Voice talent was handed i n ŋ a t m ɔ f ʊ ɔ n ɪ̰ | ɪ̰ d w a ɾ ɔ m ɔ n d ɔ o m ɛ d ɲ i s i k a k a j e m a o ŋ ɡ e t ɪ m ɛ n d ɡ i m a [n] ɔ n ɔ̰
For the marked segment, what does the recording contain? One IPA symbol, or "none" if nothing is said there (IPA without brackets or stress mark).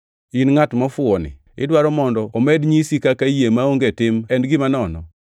n